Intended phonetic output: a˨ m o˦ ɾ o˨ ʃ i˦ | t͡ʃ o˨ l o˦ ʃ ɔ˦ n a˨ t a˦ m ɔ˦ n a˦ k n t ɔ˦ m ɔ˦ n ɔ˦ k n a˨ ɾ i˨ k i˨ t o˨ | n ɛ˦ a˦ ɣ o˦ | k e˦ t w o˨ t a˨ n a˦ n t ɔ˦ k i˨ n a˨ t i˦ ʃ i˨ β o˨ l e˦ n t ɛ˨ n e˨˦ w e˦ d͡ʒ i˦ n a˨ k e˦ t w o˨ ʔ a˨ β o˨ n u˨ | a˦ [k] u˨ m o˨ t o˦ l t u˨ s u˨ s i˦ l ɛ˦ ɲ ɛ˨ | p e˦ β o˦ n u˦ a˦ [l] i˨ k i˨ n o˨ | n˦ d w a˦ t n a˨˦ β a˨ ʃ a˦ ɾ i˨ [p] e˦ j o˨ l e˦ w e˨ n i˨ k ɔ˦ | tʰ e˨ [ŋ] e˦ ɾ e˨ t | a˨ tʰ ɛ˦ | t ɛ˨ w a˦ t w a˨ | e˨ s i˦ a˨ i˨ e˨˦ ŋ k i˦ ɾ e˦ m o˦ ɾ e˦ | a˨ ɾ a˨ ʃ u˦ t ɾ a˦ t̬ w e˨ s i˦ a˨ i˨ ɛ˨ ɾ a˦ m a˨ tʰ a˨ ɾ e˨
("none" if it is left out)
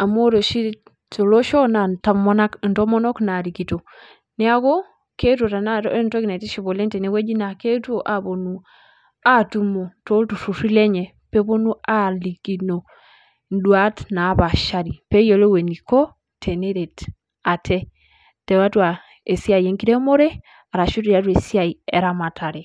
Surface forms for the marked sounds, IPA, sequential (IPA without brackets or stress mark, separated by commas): t, l, p, n